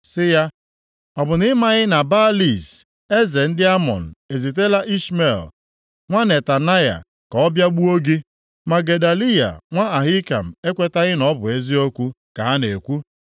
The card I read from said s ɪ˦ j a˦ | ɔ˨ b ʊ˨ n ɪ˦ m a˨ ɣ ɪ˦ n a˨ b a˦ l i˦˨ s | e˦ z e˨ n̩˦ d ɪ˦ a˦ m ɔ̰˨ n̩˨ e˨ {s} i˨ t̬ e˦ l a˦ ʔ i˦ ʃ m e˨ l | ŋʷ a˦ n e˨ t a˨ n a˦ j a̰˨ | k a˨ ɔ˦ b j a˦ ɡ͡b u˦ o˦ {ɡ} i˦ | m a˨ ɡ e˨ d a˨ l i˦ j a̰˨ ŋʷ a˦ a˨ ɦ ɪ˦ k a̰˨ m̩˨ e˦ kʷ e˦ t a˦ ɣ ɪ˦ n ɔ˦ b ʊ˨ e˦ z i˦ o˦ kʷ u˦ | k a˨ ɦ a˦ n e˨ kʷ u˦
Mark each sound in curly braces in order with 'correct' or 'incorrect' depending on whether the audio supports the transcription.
incorrect: z, correct

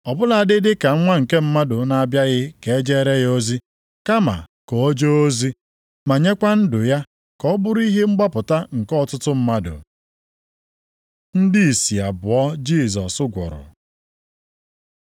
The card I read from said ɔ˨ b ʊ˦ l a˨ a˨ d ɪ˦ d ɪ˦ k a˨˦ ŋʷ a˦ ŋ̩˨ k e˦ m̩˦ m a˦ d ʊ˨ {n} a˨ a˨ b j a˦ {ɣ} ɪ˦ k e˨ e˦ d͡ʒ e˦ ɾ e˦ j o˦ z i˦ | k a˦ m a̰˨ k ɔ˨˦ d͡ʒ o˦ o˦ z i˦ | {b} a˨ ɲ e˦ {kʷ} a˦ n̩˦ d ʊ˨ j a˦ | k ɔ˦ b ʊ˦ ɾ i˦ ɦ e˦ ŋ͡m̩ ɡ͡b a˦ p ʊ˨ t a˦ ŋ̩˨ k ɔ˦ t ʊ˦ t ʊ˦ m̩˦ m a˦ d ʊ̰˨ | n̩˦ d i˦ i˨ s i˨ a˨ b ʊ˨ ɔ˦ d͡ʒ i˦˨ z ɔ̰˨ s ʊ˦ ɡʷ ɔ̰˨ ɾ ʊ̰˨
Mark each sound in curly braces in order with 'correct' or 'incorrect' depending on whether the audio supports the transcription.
correct, correct, incorrect: m, correct

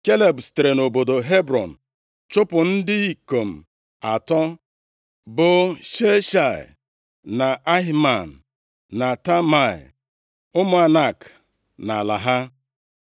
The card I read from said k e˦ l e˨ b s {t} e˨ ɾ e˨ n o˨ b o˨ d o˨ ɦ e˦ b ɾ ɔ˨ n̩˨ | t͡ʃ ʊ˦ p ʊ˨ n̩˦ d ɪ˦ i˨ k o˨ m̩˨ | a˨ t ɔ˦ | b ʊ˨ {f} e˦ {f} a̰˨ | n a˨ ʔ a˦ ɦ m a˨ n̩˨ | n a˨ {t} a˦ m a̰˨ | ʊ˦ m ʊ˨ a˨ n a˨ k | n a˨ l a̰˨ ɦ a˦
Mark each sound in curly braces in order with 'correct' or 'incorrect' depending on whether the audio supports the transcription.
correct, incorrect: ʃ, incorrect: ʃ, correct

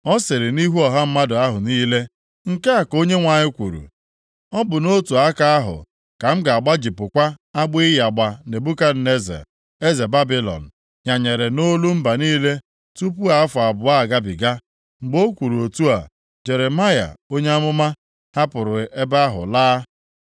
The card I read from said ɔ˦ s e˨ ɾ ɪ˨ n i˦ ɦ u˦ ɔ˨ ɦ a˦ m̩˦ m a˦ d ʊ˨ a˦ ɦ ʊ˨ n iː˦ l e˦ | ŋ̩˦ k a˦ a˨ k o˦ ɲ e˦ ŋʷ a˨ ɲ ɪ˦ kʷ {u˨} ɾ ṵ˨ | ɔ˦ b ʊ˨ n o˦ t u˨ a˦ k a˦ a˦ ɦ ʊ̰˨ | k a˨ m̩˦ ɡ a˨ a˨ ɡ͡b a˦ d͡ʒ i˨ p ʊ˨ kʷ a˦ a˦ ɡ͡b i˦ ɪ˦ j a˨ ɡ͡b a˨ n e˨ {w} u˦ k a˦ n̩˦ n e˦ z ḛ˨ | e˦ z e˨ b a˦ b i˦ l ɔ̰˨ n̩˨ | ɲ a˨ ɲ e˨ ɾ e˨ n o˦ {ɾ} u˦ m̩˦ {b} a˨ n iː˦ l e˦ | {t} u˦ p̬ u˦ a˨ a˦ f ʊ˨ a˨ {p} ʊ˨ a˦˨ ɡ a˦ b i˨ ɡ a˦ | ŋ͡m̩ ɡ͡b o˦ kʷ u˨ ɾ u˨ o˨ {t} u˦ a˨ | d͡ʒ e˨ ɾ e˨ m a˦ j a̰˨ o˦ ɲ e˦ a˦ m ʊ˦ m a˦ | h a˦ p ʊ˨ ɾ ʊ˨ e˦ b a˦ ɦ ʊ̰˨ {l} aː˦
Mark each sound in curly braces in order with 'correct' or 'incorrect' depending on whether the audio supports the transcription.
correct, incorrect: b, incorrect: l, correct, correct, incorrect: b, correct, correct

